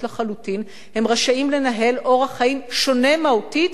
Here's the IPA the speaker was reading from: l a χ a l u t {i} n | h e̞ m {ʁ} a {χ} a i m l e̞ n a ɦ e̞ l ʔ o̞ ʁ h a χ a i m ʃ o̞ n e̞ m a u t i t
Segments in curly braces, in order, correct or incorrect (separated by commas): correct, correct, incorrect